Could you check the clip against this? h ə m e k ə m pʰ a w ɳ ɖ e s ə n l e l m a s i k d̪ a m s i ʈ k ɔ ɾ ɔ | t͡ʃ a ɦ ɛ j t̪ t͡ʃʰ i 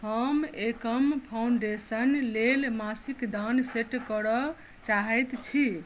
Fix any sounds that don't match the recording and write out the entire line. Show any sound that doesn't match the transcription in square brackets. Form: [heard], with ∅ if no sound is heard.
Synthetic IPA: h ə m e k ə m pʰ a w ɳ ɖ e s ə n l e l m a s i k d̪ a [n] s [e] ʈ k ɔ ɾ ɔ | t͡ʃ a ɦ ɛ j t̪ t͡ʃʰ i